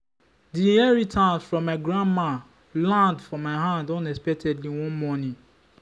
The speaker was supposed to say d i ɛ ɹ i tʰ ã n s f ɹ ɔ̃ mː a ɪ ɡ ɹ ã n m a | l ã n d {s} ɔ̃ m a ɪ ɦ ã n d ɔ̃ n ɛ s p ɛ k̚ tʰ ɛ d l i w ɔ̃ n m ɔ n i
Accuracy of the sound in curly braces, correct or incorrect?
incorrect